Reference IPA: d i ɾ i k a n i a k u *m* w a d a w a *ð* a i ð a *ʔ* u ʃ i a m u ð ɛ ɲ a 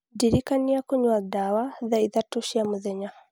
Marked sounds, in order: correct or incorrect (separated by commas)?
incorrect, correct, incorrect